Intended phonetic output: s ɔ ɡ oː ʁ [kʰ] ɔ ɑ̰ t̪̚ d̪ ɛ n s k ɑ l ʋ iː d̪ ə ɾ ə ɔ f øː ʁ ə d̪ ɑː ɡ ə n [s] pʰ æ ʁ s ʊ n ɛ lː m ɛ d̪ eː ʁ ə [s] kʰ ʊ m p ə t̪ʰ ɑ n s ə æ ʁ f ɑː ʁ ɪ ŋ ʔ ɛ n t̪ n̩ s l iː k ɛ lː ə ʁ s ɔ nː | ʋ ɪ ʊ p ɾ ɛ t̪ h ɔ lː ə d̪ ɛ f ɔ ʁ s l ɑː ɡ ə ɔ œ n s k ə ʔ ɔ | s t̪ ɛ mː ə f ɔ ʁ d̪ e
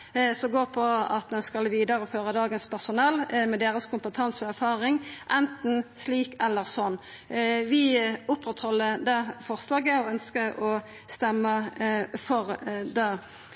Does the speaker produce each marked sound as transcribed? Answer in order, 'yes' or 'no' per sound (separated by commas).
no, yes, yes